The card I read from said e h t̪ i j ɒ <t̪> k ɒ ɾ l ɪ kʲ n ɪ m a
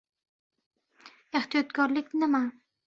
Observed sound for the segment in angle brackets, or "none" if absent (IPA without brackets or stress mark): t̪